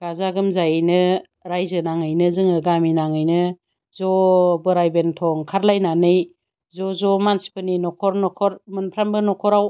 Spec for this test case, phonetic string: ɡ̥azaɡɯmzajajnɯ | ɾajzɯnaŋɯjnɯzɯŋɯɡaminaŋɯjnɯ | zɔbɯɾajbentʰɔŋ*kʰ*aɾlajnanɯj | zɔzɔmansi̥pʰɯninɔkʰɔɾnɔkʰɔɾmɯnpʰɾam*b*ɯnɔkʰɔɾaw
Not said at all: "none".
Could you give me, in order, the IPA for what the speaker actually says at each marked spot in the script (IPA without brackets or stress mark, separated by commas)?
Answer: kʰ, b